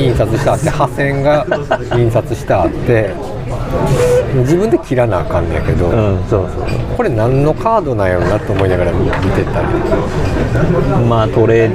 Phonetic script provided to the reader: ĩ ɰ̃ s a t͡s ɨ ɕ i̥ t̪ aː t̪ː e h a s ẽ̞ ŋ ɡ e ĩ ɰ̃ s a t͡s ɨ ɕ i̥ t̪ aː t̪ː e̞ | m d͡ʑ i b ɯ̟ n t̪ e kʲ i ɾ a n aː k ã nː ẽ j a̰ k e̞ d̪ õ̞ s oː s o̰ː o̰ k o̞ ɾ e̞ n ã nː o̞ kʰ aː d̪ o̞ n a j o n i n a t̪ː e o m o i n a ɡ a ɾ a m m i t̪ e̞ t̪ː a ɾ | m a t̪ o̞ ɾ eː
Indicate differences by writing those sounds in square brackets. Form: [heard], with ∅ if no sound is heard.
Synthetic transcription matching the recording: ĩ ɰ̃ s a t͡s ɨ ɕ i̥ t̪ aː t̪ː e h a s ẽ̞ ŋ ɡ [a] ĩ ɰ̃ s a t͡s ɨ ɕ i̥ t̪ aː t̪ː e̞ | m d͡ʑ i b ɯ̟ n [d̪] e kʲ i ɾ a n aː k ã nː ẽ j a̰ k e̞ d̪ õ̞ s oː s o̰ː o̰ k o̞ ɾ e̞ n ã nː o̞ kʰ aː d̪ o̞ n a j o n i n a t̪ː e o m o i n a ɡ a ɾ a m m i t̪ e̞ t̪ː a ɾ | m a t̪ o̞ ɾ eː